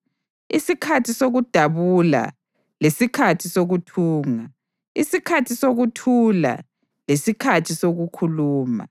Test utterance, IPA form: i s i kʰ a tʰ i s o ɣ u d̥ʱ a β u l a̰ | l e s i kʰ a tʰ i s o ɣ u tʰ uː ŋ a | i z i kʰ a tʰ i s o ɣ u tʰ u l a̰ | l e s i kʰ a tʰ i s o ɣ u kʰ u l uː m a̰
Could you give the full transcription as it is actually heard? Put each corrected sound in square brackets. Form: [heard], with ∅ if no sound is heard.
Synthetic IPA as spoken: i s i kʰ a tʰ i s o ɣ u d̥ʱ a β u l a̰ | l e s i kʰ a tʰ i s o ɣ u tʰ uː ŋ a | i [s] i kʰ a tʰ i s o ɣ u tʰ u l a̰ | l e s i kʰ a tʰ i s o ɣ u kʰ u l uː m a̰

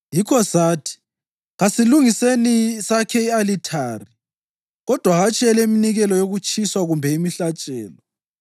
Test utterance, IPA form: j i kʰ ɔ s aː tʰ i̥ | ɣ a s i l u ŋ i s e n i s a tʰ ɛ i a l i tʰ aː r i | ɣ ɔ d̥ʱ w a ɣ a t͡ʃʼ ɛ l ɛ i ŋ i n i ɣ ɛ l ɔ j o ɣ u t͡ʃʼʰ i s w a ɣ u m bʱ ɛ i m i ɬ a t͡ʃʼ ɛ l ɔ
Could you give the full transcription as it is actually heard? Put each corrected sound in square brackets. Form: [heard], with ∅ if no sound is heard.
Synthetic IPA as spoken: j i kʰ ɔ s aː tʰ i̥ | ɣ a s i l u ŋ i s e n i s a [kʰ] ɛ i a l i tʰ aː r i | ɣ ɔ d̥ʱ w a ɣ a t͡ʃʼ ɛ l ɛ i [m] i n i ɣ ɛ l ɔ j o ɣ u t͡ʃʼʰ i s w a ɣ u m bʱ ɛ i m i ɬ a t͡ʃʼ [ɛː] l ɔ

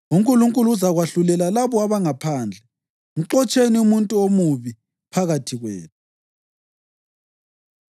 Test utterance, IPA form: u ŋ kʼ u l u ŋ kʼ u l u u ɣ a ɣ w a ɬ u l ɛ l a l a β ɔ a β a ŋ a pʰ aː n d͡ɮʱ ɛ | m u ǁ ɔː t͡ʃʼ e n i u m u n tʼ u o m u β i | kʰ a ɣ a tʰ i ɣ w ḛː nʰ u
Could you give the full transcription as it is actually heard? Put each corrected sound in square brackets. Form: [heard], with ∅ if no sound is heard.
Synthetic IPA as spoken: u ŋ kʼ u l u ŋ kʼ u l u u [z] a ɣ w a ɬ u l ɛ l a l a β ɔ a β a ŋ a pʰ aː n d͡ɮʱ ɛ | [ŋ] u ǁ [ɔ] t͡ʃʼ e n i u m u n tʼ u o m u β i | [pʰ] a ɣ a tʰ i ɣ w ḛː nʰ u

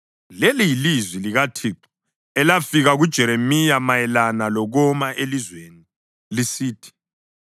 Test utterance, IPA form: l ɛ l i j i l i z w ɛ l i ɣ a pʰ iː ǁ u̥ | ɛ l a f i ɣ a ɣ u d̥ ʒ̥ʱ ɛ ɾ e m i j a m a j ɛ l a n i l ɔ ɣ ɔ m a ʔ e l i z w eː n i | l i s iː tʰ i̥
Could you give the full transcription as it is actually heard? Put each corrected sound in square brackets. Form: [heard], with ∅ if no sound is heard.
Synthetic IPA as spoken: l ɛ l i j i l i z w [i] l i ɣ a [tʰ] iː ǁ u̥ | ɛ l a f i ɣ a ɣ u d̥ ʒ̥ʱ ɛ ɾ e m i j a m a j ɛ l a n [a] l ɔ ɣ ɔ m a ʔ e l i z w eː n i | l i s iː tʰ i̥

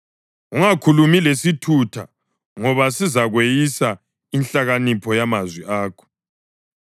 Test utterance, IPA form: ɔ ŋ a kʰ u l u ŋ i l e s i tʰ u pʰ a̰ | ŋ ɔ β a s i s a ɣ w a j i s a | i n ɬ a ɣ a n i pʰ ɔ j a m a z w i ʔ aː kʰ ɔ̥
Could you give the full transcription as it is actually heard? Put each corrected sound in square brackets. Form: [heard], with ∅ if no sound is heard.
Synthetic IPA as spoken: [u] ŋ a kʰ u l u [m] i l e s i tʰ u [tʰ] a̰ | ŋ ɔ β a s i [z] a ɣ w [e] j i s a | i n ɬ a ɣ a n i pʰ ɔ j a m a z w i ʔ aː kʰ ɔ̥

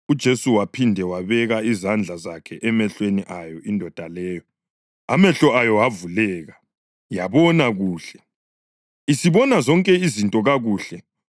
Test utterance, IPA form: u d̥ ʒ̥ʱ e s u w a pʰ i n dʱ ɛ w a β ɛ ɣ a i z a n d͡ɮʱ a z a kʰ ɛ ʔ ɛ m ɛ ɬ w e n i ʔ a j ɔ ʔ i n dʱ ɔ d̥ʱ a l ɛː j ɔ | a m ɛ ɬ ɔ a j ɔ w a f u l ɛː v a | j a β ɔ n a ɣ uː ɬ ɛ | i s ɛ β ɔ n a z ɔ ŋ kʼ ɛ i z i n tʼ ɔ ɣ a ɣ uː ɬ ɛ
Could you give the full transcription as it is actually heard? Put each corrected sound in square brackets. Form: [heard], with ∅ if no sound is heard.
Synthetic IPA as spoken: u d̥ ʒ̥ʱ e s u w a pʰ i n dʱ ɛ w a β ɛ ɣ a i z a n d͡ɮʱ a z a kʰ ɛ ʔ ɛ m ɛ ɬ w e n i ʔ a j ɔ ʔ i n dʱ ɔ d̥ʱ a l ɛː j ɔ | a m ɛ ɬ ɔ a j ɔ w a [v] u l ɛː [ɣ] a | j a β ɔ n a ɣ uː ɬ ɛ | i s [i] β ɔ n a z ɔ ŋ kʼ ɛ i z i n tʼ ɔ ɣ a ɣ uː ɬ ɛ

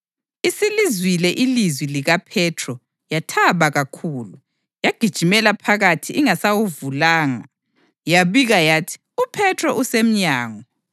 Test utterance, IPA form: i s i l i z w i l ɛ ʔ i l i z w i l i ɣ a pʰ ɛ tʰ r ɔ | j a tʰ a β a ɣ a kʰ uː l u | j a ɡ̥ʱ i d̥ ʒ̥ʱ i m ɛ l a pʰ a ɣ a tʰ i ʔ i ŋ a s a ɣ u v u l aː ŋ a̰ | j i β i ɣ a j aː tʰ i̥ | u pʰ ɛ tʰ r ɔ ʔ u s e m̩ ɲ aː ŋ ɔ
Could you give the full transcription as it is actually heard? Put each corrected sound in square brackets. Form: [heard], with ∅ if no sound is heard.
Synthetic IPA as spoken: i s i l i z w i l ɛ ʔ i l i z w i l i ɣ a pʰ ɛ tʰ r ɔ | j a tʰ a β a ɣ a kʰ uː l u | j a ɡ̥ʱ i d̥ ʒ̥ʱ i m ɛ l a pʰ a ɣ a tʰ i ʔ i ŋ a s a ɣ u v u l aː ŋ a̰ | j [a] β i ɣ a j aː tʰ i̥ | u pʰ ɛ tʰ r ɔ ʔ u s e m̩ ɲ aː ŋ ɔ

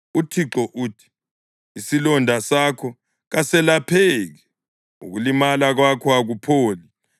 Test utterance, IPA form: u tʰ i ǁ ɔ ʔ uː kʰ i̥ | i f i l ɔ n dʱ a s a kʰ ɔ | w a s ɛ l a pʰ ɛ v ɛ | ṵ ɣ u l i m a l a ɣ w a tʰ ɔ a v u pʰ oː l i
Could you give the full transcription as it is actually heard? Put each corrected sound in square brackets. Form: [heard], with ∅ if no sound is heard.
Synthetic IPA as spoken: u tʰ i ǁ ɔ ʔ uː [tʰ] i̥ | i [s] i l ɔ n dʱ a s a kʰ ɔ | [ɣ] a s ɛ l a pʰ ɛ [ɣ] ɛ | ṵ ɣ u l i m a l a ɣ w a [kʰ] ɔ a [ɣ] u pʰ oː l i

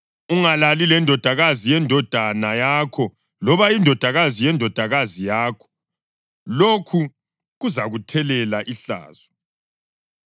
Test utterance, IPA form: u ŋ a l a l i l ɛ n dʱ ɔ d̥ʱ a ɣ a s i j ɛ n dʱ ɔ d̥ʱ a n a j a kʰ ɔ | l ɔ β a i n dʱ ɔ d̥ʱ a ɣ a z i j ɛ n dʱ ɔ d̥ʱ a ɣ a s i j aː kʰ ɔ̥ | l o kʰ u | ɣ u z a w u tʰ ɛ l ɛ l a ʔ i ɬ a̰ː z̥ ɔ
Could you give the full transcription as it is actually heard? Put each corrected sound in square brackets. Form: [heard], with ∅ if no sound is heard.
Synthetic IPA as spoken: u ŋ a l a l i l ɛ n dʱ ɔ d̥ʱ a ɣ a [z] i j ɛ n dʱ ɔ d̥ʱ a n a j a kʰ ɔ | l ɔ β a i n dʱ ɔ d̥ʱ a ɣ a z i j ɛ n dʱ ɔ d̥ʱ a ɣ a [z] i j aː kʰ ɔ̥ | l o kʰ u | ɣ u z a [ɣ] u tʰ ɛ l ɛ l a ʔ i ɬ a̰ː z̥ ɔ

